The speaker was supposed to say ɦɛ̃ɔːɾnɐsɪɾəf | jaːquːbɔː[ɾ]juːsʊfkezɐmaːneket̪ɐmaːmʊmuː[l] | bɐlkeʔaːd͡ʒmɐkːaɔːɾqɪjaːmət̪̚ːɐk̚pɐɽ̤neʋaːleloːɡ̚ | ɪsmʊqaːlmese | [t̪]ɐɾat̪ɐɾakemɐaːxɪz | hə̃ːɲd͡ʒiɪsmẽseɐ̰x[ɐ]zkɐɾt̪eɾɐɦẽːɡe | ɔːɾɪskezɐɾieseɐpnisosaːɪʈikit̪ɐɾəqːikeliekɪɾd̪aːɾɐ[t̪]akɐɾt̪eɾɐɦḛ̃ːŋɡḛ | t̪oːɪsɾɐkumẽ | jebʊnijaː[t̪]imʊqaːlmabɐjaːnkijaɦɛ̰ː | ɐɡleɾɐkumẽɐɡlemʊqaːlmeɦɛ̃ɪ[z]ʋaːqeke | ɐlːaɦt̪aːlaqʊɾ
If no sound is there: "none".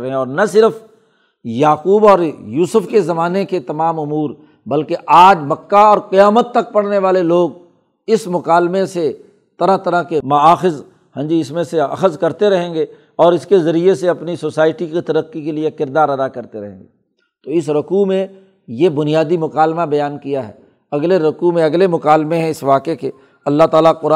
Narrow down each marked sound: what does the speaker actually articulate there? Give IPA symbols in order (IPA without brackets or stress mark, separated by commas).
ɾ, ɾ, t̪, ə, d̪, d̪, s